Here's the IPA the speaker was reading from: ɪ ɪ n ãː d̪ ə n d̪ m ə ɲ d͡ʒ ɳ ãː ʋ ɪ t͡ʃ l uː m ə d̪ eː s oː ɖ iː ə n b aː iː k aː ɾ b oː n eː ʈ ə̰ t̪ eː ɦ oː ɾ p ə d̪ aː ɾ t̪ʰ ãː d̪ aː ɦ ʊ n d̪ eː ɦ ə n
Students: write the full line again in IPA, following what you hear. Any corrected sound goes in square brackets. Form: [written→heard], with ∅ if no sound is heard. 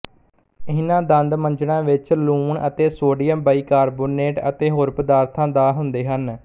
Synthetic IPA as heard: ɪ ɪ n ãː d̪ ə n d̪ m ə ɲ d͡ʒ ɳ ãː ʋ ɪ t͡ʃ l uː [m→ɳ] ə [d̪→t̪] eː s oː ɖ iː ə [n→m] b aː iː k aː ɾ b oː n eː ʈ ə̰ t̪ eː ɦ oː ɾ p ə d̪ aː ɾ t̪ʰ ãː d̪ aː ɦ ʊ n d̪ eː ɦ ə n